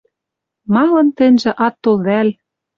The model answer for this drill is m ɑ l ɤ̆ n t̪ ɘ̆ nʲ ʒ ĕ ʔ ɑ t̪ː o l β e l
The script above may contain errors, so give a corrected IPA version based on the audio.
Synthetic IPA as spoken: m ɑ l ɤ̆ n t̪ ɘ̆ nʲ ʒ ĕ ʔ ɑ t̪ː o l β æ l